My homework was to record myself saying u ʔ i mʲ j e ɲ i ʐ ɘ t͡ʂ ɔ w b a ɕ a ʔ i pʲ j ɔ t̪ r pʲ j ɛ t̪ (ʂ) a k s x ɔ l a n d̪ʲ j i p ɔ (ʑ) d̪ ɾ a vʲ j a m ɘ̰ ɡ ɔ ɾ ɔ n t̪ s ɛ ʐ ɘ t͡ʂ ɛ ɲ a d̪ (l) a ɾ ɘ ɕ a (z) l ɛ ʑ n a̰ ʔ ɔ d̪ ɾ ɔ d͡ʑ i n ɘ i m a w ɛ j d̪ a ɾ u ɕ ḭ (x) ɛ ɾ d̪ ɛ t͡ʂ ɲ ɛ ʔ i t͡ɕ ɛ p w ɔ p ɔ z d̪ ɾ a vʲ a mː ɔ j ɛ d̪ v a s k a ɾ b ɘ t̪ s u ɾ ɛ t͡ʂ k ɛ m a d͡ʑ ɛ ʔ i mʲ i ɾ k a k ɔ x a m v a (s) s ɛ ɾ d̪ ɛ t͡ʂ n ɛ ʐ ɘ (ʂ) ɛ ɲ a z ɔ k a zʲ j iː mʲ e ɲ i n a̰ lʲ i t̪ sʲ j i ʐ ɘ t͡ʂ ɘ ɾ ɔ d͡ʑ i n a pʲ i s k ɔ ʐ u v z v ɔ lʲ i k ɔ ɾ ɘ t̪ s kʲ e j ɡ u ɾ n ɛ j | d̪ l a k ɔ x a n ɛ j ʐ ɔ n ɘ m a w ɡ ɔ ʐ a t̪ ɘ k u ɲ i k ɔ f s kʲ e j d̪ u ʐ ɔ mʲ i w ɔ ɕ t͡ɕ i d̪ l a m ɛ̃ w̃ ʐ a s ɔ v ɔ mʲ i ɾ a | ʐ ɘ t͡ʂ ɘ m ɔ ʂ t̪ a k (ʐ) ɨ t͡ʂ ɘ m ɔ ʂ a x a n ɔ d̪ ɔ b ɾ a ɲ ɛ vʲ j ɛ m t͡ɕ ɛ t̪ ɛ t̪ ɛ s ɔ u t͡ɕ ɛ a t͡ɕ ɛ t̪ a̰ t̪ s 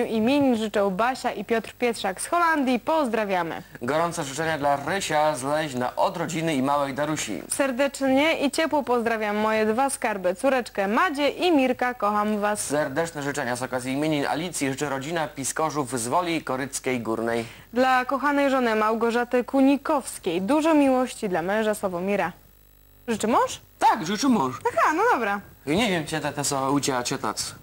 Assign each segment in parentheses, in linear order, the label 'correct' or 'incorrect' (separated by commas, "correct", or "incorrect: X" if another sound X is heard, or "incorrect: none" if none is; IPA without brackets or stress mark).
correct, incorrect: z, correct, correct, incorrect: s, correct, incorrect: t͡ʂ, correct